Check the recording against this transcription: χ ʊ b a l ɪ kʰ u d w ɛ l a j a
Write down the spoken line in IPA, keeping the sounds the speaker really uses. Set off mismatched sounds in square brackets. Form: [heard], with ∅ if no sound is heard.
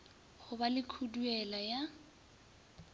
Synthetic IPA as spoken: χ ʊ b a l ɪ kʰ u d [u] ɛ l a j a

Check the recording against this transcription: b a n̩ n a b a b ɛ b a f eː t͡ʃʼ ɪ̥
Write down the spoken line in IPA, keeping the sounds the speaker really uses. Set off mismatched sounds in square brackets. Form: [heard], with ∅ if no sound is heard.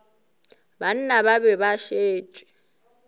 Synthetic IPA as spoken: b a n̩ n a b a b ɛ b a [ʃ] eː t͡ʃʼ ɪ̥

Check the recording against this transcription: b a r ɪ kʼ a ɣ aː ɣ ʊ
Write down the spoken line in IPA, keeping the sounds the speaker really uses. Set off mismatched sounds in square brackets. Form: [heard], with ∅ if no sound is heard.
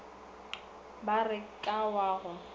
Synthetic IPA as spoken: b a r ɪ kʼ a [w] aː ɣ ʊ

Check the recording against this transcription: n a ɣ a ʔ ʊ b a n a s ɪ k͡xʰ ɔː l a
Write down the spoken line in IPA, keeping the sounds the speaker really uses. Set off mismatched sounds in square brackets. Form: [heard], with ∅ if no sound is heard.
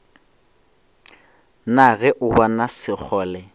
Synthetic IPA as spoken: n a ɣ [ɛ] ʔ ʊ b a n a s ɪ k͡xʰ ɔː l [ɛ]

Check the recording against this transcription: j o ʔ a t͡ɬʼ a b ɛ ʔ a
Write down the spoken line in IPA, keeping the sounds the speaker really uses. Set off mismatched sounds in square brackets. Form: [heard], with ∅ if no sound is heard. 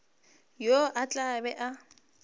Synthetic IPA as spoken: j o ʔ a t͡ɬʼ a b ɛ ʔ a

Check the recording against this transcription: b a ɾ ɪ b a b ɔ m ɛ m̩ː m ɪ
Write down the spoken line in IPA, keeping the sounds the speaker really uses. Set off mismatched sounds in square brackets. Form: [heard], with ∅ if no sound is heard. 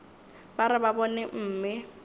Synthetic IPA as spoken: b a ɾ ɪ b a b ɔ [n] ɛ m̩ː m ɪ

